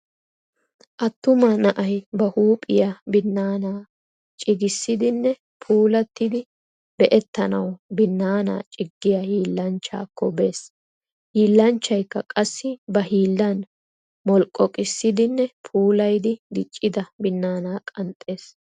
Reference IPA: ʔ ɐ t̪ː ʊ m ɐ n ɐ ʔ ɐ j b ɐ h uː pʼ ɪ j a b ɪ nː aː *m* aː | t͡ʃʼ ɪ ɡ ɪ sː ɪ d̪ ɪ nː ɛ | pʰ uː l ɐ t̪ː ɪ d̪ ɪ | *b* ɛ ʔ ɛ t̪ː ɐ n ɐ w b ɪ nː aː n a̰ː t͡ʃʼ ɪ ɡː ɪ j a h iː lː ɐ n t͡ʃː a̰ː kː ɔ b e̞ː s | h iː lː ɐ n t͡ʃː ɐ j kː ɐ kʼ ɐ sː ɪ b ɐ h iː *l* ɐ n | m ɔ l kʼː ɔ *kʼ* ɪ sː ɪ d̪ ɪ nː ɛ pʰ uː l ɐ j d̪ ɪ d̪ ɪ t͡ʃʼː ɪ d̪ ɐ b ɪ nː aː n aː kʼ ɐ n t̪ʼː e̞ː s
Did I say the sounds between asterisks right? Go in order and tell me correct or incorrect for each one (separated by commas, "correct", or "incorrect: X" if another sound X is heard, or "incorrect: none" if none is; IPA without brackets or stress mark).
incorrect: n, correct, incorrect: lː, correct